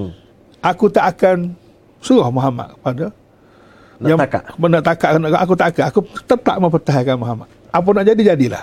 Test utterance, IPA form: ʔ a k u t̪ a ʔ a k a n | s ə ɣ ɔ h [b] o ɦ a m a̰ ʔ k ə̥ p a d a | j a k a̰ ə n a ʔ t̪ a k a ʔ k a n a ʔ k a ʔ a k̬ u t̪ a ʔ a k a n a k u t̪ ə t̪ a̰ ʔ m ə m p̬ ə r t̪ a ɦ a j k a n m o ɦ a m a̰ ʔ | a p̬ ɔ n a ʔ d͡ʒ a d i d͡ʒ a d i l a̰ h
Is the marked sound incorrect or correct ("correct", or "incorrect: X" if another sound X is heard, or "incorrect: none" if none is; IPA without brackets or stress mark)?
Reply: incorrect: m